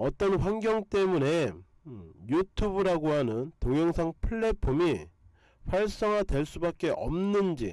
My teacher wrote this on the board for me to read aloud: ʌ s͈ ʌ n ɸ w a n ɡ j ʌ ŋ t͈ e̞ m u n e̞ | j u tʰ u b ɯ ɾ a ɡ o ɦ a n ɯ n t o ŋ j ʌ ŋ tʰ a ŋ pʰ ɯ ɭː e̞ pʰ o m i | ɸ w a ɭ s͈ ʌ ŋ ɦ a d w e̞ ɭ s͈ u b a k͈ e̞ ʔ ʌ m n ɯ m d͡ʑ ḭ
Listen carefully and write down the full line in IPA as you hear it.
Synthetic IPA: ʌ t͈ ʌ n ɸ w a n ɡ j ʌ ŋ t͈ e̞ m u n e̞ | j u tʰ u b ɯ ɾ a ɡ o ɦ a n ɯ n t o ŋ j ʌ ŋ sʰ a ŋ pʰ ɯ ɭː e̞ pʰ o m i | ɸ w a ɭ s͈ ʌ ŋ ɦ a d w e̞ ɭ s͈ u b a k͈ e̞ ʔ ʌ m n ɯ n d͡ʑ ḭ